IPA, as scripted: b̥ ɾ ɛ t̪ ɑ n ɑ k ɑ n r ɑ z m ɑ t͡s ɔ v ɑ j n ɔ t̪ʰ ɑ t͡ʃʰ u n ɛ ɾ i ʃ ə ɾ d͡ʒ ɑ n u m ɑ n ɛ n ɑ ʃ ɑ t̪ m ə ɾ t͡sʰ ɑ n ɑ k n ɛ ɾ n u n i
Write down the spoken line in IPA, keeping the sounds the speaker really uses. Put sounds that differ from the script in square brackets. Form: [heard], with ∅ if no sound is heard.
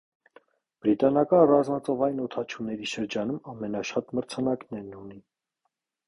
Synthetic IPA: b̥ ɾ [i] t̪ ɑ n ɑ k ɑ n r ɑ z m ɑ t͡s ɔ v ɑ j n ɔ t̪ʰ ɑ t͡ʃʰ u n ɛ ɾ i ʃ ə ɾ d͡ʒ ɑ n u m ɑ [m] ɛ n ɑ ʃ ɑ t̪ m ə ɾ t͡sʰ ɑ n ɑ k n ɛ ɾ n u n i

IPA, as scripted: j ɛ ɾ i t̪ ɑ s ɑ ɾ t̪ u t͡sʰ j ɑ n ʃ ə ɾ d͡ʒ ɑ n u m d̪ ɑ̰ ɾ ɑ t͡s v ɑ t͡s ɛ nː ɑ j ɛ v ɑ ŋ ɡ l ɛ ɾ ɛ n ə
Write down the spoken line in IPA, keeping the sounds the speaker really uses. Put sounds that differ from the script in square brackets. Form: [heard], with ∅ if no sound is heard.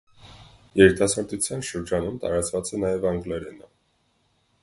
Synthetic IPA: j ɛ ɾ i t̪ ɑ s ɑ ɾ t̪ u t͡sʰ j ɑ n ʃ ə ɾ d͡ʒ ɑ n u m [t̪] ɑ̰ ɾ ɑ t͡s v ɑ t͡s ɛ [n] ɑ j ɛ v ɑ ŋ ɡ l ɛ ɾ ɛ n ə

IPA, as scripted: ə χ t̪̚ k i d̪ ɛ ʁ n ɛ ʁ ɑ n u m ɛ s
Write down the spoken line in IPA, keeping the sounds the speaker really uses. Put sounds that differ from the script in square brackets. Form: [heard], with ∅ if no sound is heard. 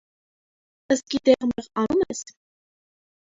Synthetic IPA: ə [s] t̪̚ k i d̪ ɛ ʁ [m] ɛ ʁ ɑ n u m ɛ s

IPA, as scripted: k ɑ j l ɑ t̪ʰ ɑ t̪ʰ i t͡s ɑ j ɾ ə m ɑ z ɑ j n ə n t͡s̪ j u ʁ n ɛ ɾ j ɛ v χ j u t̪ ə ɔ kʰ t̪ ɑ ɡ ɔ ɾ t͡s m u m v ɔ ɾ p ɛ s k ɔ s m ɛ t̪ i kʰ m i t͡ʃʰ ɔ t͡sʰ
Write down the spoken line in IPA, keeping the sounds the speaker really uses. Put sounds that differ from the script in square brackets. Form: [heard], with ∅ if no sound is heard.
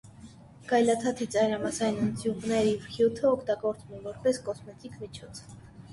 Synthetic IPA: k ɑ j l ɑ t̪ʰ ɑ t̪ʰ i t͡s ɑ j ɾ [ɑ] m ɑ [s] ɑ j n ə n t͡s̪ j u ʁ n ɛ ɾ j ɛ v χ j u [t̪ʰ] ə ɔ kʰ t̪ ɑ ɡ ɔ ɾ t͡s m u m v ɔ ɾ p ɛ s k ɔ s m ɛ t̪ i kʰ m i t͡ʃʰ ɔ t͡sʰ

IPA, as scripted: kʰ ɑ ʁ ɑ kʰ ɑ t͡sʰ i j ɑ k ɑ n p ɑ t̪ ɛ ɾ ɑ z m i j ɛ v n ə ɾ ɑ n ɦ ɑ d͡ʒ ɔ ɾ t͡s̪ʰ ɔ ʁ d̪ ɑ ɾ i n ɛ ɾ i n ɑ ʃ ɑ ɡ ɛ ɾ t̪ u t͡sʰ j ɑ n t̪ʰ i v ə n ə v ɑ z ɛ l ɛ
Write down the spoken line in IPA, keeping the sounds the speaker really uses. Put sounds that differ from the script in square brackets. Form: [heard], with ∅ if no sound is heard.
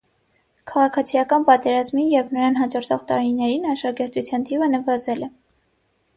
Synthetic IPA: kʰ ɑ ʁ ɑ kʰ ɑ t͡sʰ i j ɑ k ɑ n p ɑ t̪ ɛ ɾ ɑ z m i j ɛ v n ə ɾ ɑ n ɦ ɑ d͡ʒ ɔ ɾ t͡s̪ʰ ɔ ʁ [t̪] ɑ ɾ i n ɛ ɾ i n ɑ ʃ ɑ ɡ ɛ ɾ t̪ u t͡sʰ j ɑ n t̪ʰ i v ə n ə v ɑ z ɛ l ɛ

